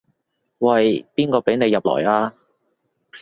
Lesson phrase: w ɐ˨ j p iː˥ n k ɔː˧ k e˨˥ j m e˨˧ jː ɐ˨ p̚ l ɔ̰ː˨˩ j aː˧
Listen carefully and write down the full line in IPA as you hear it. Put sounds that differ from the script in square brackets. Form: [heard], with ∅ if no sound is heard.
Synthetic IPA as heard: w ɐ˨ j p iː˥ n k ɔː˧ [p] e˨˥ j [n] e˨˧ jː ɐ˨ p̚ l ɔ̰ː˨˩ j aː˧